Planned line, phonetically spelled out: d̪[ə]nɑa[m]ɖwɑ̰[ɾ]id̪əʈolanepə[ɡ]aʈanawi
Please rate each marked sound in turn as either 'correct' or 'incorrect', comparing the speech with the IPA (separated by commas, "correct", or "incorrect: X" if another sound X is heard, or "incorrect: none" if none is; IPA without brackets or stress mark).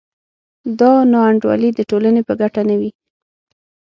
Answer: incorrect: ɑ, incorrect: ɳ, incorrect: l, correct